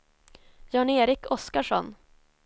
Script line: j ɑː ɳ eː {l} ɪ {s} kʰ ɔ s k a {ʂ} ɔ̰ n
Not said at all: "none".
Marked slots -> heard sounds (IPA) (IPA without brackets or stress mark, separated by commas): ɾ, none, ʂ